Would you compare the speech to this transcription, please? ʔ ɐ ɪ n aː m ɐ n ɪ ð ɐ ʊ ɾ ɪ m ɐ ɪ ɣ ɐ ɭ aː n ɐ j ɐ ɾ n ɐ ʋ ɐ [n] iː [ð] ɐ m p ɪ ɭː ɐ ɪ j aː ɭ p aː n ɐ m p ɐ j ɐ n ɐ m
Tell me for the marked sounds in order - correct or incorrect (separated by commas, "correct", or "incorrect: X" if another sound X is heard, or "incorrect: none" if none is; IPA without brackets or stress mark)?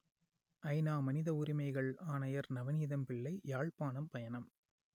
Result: correct, correct